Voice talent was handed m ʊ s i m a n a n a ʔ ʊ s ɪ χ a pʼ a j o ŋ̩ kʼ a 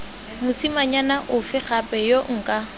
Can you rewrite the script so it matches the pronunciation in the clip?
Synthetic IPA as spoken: m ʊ s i m a ɲ a n a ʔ ʊ f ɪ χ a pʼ ɛ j o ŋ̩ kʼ a